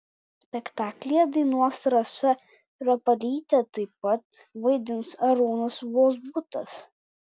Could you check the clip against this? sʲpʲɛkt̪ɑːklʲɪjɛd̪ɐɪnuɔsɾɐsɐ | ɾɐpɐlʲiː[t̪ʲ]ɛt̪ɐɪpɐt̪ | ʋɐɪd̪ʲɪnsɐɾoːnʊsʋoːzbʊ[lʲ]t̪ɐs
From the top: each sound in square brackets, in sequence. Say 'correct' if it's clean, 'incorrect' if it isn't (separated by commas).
correct, incorrect